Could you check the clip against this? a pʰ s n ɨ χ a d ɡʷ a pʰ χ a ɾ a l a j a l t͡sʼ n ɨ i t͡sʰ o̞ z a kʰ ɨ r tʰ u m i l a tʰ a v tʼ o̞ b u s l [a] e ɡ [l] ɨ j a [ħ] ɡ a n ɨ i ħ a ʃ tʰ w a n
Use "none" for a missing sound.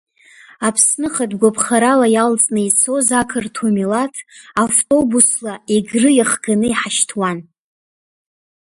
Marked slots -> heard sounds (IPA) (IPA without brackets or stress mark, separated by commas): a, r, χ